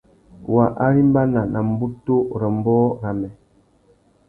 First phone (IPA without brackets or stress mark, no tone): w